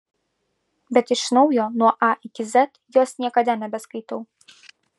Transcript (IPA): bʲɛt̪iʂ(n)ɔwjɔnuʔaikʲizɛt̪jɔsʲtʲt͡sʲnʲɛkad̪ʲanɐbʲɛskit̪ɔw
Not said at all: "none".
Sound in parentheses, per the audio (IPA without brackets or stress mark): n